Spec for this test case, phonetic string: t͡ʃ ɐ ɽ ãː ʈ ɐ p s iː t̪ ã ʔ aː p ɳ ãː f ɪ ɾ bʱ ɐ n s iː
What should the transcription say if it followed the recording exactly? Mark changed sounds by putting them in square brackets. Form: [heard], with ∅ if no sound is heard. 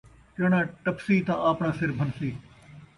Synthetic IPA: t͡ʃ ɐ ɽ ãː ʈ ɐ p s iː t̪ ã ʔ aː p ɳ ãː [s] ɪ ɾ bʱ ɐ n s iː